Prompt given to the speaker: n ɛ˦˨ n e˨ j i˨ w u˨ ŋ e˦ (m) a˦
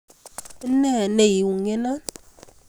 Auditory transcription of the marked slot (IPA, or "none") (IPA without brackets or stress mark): n